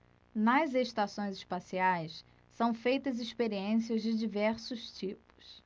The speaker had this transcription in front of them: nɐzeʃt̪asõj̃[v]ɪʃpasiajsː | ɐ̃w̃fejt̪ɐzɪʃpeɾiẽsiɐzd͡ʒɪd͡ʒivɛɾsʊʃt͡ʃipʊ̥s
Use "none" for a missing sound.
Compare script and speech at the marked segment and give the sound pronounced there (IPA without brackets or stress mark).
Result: z